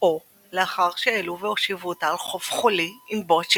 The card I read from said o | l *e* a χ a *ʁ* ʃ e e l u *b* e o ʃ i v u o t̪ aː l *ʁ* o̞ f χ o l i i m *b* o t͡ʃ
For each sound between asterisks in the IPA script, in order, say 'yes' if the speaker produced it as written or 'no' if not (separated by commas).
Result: yes, yes, no, no, yes